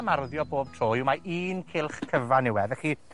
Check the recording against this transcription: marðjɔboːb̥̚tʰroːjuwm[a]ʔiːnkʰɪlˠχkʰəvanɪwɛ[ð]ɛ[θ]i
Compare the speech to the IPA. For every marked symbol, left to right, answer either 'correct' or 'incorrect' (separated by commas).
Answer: correct, correct, incorrect